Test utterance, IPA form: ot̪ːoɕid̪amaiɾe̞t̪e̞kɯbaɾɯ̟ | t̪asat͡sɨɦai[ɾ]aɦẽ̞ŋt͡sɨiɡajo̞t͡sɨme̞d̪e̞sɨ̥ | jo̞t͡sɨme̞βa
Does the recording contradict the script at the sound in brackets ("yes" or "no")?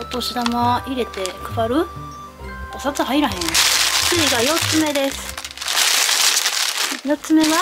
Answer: no